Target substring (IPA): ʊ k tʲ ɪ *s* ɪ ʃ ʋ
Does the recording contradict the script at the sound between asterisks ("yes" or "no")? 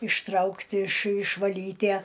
yes